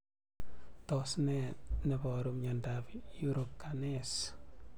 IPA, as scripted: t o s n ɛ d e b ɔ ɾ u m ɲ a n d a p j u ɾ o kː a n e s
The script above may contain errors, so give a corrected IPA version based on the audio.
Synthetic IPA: t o s n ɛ n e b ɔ ɾ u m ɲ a n d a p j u ɾ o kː a n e s